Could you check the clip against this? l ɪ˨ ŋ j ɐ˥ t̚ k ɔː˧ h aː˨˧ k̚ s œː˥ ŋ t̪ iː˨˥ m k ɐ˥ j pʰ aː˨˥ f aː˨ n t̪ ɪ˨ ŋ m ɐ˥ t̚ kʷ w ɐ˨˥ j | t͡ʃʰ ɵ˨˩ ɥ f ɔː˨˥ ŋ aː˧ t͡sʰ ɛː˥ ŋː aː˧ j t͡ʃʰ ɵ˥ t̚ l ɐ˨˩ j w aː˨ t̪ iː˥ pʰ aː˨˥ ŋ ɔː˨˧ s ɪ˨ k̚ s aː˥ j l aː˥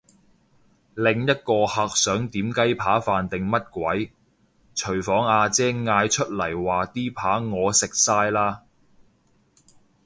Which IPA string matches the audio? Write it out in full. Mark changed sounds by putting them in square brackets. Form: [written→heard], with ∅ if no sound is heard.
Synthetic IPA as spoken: l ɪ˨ ŋ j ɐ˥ t̚ k ɔː˧ h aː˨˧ k̚ s [œː˥→œː˨˥] ŋ t̪ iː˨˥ m k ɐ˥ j pʰ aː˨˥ f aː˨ n t̪ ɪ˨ ŋ m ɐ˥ t̚ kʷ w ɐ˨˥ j | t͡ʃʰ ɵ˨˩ ɥ f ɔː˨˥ ŋ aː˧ [t͡sʰ→t͡s] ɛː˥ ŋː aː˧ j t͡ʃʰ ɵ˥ t̚ l ɐ˨˩ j w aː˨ t̪ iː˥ pʰ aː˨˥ ŋ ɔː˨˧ s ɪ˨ k̚ s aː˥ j l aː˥